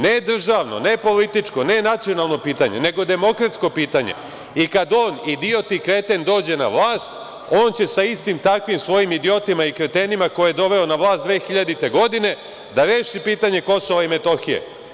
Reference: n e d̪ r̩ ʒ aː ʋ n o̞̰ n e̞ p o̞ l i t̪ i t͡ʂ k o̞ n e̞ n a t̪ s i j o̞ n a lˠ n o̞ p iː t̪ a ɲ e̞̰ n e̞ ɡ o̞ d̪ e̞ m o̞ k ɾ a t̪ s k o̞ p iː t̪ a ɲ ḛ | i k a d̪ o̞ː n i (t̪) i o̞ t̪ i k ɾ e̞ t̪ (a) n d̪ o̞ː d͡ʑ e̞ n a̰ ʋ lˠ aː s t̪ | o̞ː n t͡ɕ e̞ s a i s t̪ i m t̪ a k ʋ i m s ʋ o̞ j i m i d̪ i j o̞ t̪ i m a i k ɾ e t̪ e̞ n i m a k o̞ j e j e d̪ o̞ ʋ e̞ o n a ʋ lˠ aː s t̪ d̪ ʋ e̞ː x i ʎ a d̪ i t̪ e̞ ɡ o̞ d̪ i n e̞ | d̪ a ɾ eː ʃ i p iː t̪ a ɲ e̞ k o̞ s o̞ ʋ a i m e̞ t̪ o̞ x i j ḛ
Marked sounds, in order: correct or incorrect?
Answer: incorrect: d̪, incorrect: e

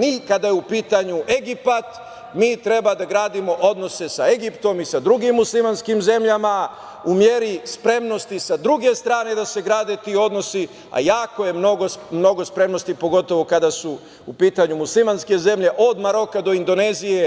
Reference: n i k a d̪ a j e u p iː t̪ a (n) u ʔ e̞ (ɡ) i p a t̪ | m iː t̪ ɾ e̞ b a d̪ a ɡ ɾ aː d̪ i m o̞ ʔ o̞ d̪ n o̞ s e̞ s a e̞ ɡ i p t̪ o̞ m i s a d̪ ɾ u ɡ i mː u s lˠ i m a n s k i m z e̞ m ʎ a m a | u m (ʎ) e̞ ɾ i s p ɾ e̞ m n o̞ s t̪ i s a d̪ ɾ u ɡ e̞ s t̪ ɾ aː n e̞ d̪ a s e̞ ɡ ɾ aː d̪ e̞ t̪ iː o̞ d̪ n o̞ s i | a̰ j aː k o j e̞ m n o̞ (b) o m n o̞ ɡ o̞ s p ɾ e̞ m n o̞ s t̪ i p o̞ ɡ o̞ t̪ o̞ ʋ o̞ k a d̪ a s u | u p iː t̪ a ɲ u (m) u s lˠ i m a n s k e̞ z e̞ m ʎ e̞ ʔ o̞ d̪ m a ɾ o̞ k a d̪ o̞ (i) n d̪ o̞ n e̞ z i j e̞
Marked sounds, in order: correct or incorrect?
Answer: incorrect: ɲ, correct, incorrect: j, incorrect: ɡ, correct, correct

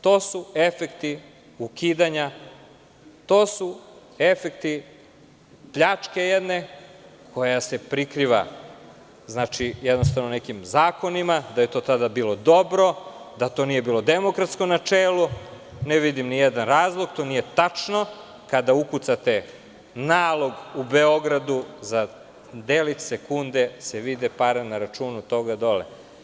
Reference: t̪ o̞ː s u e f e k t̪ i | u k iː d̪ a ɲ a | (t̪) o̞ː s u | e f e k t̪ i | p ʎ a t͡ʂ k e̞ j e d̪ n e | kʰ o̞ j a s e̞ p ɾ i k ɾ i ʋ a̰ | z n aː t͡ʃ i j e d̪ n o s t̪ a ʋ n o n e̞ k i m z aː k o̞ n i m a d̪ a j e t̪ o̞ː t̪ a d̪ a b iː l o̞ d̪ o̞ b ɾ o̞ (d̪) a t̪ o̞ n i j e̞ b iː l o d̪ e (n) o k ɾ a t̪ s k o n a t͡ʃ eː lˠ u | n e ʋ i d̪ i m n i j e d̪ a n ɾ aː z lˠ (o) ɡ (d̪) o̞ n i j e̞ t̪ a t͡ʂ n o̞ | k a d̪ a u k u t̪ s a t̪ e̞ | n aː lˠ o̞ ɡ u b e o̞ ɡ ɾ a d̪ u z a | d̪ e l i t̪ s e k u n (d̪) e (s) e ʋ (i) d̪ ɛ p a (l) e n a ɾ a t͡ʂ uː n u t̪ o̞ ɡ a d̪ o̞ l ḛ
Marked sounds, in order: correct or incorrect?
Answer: correct, correct, incorrect: m, correct, incorrect: t̪, correct, correct, correct, incorrect: ɾ

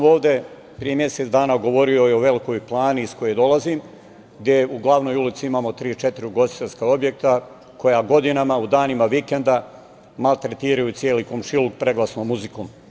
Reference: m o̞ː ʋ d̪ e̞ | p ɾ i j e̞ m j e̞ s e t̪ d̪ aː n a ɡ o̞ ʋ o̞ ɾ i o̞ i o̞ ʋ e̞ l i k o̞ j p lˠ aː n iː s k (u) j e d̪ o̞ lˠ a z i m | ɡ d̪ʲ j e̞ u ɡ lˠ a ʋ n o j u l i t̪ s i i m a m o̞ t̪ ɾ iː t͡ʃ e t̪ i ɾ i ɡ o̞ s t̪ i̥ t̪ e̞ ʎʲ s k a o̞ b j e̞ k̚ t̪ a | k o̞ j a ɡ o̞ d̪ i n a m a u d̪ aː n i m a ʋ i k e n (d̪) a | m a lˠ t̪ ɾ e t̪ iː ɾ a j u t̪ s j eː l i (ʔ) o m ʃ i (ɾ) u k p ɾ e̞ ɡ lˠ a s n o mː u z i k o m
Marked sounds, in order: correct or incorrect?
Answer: incorrect: o, correct, incorrect: k, incorrect: l

